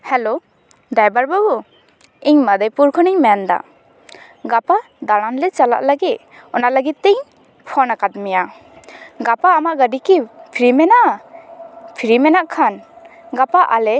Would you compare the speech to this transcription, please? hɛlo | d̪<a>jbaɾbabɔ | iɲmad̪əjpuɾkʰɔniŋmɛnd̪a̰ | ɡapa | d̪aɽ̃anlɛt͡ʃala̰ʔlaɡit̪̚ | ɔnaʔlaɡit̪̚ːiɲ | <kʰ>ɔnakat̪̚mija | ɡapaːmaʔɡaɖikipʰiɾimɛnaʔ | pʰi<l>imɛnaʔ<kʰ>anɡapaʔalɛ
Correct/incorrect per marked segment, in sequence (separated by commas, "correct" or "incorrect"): correct, incorrect, incorrect, correct